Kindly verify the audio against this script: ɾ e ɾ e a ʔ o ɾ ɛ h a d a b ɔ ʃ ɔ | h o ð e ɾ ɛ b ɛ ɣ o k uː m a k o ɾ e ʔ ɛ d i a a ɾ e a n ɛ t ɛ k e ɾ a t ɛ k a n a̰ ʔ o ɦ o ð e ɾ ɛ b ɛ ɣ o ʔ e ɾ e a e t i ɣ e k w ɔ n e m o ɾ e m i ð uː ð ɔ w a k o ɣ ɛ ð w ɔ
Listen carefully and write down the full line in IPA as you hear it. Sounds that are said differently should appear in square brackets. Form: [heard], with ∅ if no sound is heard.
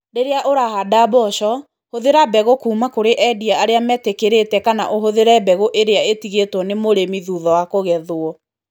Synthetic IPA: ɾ e ɾ e a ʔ o ɾ [a] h a d a b ɔ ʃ ɔ | h o ð e ɾ [a] b ɛ ɣ o k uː m a k o ɾ e ʔ ɛ d i a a ɾ e a [m] ɛ t [e] k e ɾ [e] t ɛ k a n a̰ ʔ o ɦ o ð e ɾ ɛ b ɛ ɣ o ʔ e ɾ e a e t i ɣ e [t] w ɔ n e m o ɾ e m i ð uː ð ɔ w a k o ɣ ɛ ð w ɔ